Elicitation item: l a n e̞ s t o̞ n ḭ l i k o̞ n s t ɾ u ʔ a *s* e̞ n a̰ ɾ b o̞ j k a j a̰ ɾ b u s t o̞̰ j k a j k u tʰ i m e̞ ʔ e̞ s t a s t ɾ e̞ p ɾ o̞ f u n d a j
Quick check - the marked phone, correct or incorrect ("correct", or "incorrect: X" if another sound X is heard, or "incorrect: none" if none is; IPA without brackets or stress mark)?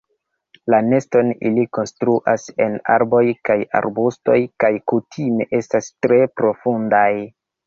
correct